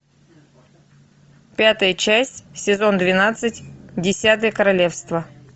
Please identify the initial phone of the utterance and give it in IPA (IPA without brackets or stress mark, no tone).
pʲ